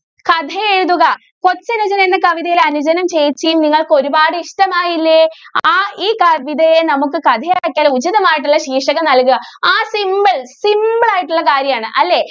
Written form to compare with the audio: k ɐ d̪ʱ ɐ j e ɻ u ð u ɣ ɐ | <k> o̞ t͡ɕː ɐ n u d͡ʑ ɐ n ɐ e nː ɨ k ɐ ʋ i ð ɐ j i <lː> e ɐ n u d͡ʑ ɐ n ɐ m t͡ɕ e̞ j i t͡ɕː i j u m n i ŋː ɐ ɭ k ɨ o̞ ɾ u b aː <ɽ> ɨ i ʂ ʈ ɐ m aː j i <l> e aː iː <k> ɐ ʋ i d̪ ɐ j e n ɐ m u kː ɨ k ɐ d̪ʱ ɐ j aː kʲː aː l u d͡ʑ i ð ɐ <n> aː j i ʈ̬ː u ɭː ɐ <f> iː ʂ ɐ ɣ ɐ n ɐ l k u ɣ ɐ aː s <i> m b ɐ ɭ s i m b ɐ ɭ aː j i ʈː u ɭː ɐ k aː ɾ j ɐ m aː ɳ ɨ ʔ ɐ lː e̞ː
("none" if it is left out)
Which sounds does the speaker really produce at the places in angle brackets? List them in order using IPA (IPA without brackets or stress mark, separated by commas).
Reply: k, l, ɽ, lː, k, m, ɕ, i